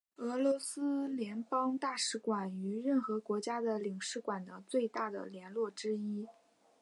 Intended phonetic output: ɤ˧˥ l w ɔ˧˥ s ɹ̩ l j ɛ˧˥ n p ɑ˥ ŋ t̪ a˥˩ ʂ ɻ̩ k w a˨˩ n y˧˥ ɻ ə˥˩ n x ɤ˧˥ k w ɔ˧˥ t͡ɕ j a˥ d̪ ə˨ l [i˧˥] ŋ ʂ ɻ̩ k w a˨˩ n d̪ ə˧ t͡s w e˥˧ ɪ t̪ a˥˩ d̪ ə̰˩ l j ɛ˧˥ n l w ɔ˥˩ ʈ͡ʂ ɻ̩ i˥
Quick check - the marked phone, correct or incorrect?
incorrect